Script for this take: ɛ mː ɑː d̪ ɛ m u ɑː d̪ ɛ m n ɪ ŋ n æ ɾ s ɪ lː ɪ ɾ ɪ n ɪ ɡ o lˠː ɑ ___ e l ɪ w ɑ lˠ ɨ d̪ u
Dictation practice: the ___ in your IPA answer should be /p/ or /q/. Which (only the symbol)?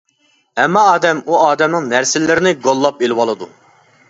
p